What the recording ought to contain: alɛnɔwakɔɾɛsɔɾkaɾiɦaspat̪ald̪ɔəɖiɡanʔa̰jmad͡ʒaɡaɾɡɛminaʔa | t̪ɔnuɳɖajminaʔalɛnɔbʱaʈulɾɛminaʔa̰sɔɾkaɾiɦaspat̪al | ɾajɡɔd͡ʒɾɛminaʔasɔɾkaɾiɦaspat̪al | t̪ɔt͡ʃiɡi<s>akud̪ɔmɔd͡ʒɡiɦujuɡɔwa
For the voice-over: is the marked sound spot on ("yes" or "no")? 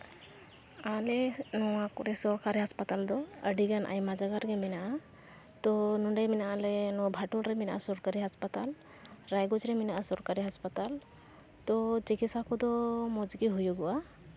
yes